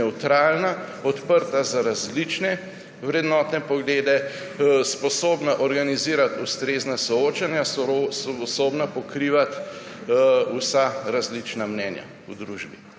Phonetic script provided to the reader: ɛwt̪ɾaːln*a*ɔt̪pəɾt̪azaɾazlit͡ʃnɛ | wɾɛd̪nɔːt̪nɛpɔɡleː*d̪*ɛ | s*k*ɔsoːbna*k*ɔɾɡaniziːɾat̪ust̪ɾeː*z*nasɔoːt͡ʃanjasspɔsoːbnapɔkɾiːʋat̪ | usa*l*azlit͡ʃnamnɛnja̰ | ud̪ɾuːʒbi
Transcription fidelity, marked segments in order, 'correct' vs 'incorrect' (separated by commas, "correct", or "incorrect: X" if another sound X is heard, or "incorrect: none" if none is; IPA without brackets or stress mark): correct, correct, incorrect: p, incorrect: ʔ, correct, incorrect: ɾ